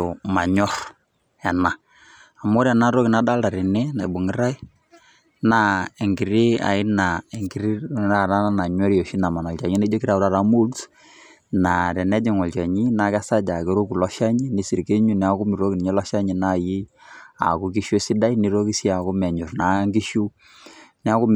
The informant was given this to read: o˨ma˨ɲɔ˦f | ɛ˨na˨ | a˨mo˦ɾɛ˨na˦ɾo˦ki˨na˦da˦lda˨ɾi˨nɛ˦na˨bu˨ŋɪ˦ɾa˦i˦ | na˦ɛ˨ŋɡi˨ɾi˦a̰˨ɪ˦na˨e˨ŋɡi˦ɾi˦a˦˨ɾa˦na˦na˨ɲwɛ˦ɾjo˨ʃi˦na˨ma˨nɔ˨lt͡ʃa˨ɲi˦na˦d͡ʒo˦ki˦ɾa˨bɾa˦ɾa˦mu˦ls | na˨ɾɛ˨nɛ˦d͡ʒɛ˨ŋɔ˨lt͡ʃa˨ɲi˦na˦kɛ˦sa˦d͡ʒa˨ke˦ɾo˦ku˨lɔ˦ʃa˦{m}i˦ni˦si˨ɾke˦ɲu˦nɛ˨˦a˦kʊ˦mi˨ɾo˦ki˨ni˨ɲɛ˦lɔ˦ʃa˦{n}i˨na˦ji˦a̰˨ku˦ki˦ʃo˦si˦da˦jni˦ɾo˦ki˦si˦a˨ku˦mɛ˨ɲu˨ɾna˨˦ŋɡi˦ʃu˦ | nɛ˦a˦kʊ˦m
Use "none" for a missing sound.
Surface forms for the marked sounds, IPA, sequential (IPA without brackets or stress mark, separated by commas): ɲ, ɲ